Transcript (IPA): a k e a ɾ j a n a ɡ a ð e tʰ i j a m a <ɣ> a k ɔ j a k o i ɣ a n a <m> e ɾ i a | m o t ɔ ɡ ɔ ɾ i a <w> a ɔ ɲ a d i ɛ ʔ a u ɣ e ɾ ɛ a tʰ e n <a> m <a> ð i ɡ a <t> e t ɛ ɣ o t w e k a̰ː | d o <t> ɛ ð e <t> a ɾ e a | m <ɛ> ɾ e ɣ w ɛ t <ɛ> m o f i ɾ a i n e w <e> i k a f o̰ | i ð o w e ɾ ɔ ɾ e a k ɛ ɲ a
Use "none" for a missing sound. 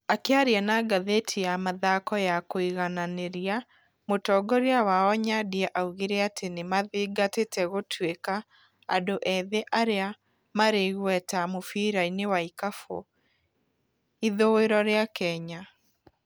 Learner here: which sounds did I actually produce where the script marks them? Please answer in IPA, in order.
ð, n, w, e, a, t, ʔ, ʔ, a, a, a

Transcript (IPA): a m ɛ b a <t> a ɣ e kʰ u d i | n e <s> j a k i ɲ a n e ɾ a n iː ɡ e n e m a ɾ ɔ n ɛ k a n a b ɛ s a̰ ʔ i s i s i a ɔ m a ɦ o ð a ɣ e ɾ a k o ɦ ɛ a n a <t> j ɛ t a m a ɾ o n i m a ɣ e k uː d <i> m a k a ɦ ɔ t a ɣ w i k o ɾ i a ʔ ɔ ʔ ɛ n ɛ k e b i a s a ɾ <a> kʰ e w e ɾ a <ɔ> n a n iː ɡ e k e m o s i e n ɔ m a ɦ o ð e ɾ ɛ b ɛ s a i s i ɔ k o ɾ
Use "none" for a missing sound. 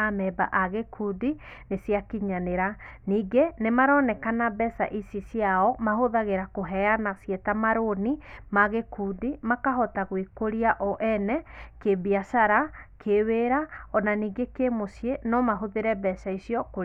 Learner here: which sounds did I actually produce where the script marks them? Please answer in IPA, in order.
ʔ, s, s, i, a, ɔ

